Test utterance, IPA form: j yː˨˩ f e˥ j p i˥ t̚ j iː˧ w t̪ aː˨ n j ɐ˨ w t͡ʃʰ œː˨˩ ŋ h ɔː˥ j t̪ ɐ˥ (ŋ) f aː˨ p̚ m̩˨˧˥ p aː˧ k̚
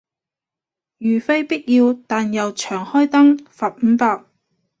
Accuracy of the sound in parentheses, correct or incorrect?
correct